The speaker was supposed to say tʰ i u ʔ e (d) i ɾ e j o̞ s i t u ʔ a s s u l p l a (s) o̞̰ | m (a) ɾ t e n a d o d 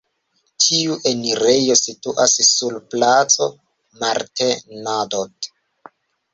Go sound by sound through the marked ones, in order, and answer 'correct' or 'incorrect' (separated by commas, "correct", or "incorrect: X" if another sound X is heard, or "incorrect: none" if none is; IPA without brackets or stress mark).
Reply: incorrect: n, incorrect: t͡s, correct